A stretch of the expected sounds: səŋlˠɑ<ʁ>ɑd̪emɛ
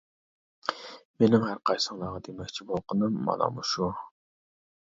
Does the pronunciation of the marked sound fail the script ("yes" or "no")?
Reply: no